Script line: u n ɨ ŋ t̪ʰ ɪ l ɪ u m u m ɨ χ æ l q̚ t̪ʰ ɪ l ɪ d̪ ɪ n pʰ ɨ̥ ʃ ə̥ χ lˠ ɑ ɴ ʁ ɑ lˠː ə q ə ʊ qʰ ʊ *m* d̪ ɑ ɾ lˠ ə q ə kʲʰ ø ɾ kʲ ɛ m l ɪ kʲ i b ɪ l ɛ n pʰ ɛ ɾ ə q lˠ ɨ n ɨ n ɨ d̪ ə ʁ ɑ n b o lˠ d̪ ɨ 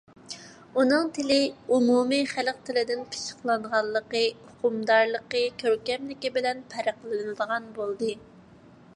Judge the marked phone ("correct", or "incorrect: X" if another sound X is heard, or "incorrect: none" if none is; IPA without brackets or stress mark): correct